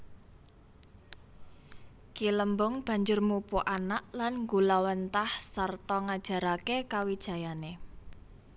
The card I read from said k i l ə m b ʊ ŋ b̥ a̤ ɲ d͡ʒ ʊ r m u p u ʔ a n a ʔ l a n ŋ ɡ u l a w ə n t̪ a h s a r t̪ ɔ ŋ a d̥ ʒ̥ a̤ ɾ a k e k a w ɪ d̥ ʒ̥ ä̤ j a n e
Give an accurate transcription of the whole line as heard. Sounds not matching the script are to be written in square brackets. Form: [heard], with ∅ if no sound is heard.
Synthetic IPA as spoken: k i l ə m b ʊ ŋ b̥ a̤ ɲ d͡ʒ ʊ r m u p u ʔ a n a ʔ l a n ŋ ɡ u l a w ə n t̪ a h s a r t̪ ɔ ŋ a d̥ ʒ̥ a̤ ɾ a k e k a w [i] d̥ ʒ̥ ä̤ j a n e